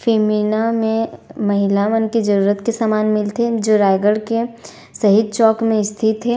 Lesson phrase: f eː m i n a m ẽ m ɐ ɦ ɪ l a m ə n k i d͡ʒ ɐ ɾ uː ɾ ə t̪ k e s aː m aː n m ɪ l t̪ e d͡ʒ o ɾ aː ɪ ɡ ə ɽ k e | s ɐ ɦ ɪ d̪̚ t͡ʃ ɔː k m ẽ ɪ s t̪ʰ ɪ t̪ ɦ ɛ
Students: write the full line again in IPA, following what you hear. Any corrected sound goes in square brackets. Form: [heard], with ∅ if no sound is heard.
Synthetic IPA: f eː m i n a m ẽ m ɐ ɦ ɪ l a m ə n k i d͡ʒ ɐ ɾ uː ɾ ə t̪ k e s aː m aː n m ɪ l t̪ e d͡ʒ o ɾ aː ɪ ɡ ə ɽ k e | s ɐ ɦ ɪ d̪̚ t͡ʃ ɔː k m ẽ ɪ s t̪ʰ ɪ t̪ ɦ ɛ